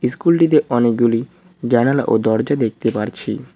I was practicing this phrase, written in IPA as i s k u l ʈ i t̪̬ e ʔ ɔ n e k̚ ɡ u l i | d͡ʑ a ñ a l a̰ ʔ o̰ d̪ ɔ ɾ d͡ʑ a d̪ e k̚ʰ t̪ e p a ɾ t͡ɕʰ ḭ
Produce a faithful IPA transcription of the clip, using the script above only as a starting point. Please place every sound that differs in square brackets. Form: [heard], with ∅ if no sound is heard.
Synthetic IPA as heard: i s k u l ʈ i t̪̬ e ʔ ɔ n e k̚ ɡ u l i | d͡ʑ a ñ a l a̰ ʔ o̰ d̪ ɔ ɾ d͡ʑ a d̪ e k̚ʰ t̪ e p a ɾ t͡ɕʰ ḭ